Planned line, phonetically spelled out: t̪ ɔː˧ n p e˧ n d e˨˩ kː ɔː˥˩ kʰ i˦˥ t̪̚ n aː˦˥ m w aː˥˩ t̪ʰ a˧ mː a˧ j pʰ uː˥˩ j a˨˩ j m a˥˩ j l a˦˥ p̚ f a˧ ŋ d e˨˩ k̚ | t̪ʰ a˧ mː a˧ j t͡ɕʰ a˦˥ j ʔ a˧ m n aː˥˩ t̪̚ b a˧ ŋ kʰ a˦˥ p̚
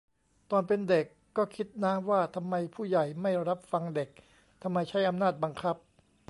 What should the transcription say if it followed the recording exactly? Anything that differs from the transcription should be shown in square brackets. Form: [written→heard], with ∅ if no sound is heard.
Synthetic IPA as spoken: t̪ ɔː˧ n p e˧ n d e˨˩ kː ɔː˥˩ kʰ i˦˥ t̪̚ n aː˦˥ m w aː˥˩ t̪ʰ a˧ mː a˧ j pʰ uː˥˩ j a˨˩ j m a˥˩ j [l→ɾ] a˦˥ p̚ f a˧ ŋ d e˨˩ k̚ | t̪ʰ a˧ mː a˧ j t͡ɕʰ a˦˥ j ʔ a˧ m n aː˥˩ t̪̚ b a˧ ŋ kʰ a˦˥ p̚